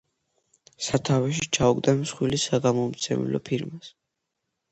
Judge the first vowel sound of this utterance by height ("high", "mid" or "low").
low